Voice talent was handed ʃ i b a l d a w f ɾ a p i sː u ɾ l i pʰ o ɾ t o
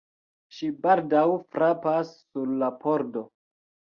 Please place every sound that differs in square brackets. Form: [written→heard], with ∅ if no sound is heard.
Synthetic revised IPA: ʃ i b a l d a w f ɾ a p [i→a] sː u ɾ l [i→a] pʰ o ɾ [t→d] o